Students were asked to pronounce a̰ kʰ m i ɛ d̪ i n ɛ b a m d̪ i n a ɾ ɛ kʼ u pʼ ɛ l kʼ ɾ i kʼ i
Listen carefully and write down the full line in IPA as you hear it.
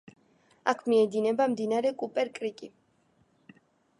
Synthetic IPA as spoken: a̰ kʰ m i ɛ d̪ i n ɛ b a m d̪ i n a ɾ ɛ kʼ u pʼ ɛ ɾ kʼ ɾ i kʼ i